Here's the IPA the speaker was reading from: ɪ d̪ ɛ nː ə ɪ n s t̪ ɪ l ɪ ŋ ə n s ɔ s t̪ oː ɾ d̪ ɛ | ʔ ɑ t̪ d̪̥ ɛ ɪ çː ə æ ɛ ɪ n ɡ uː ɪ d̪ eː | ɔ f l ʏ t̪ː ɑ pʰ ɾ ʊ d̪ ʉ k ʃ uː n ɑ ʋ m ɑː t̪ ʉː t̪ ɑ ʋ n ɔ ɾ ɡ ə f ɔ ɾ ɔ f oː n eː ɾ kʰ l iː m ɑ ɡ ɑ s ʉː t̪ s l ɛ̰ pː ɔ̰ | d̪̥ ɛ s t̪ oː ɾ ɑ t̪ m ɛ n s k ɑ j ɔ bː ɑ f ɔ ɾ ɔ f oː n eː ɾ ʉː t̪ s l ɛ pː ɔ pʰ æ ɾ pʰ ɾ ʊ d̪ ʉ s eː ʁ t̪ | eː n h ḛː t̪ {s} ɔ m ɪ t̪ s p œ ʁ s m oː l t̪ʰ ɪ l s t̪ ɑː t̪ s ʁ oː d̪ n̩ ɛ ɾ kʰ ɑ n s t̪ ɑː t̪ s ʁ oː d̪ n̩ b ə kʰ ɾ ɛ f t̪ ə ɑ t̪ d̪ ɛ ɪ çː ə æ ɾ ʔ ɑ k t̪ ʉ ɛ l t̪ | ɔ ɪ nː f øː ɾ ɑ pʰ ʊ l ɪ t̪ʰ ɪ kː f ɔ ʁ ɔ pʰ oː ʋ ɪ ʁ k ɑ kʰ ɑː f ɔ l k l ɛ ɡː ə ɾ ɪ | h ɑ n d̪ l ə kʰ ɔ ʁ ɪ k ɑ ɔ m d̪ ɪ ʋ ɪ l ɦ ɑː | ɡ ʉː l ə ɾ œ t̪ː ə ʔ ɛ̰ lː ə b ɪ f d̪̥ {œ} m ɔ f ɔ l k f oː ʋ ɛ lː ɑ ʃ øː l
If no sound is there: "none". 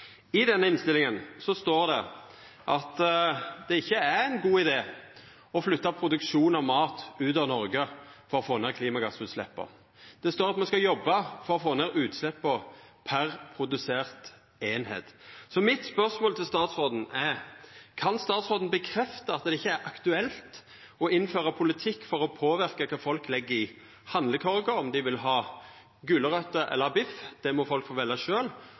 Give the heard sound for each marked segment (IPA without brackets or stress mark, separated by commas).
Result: s, ɛ